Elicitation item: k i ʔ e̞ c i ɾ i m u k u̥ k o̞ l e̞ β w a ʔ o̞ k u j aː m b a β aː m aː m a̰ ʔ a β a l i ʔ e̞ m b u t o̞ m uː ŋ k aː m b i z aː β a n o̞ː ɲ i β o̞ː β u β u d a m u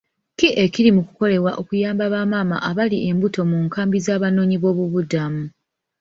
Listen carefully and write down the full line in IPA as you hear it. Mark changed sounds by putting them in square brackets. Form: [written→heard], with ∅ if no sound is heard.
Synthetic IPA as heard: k i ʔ e̞ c i ɾ i m u k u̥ k o̞ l e̞ β w a ʔ o̞ k u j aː m b a β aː m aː m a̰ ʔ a β a l i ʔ e̞ m b u t o̞ m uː ŋ k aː m b i z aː β a n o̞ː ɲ i β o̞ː β u β u d a m u